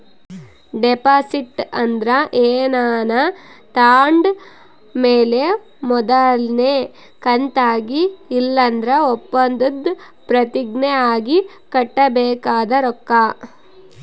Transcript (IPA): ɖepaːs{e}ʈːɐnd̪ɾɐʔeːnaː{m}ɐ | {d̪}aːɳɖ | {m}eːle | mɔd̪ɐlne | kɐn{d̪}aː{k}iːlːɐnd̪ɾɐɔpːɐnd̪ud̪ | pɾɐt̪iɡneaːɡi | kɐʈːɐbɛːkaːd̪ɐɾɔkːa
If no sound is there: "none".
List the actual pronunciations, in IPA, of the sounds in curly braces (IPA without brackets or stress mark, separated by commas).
i, n, t̪, m, t̪, ɡ